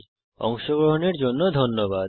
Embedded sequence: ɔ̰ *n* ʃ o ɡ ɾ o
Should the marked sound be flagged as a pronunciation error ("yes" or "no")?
yes